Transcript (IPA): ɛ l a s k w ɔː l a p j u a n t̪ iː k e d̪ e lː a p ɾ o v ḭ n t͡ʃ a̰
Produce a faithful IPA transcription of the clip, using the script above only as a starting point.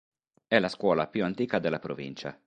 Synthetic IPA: ɛ l a s k w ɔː l a p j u a n t̪ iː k a d̪ e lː a p ɾ o v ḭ n t͡ʃ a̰